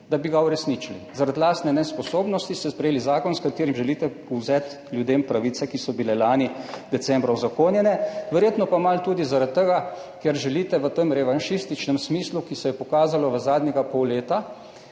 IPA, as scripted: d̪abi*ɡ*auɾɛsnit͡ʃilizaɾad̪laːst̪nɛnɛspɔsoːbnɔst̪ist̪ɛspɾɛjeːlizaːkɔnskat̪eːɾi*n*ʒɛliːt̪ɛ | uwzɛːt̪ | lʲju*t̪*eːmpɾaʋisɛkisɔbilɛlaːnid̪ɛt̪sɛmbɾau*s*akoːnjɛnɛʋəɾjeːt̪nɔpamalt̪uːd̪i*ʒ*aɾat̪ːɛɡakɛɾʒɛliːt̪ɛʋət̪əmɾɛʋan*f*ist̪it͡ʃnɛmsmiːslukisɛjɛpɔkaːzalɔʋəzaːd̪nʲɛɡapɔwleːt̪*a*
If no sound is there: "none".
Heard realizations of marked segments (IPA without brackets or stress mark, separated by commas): ɡ, m, d̪, z, z, ʃ, a